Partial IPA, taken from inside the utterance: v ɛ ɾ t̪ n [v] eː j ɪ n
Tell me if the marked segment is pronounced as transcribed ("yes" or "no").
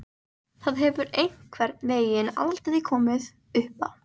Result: yes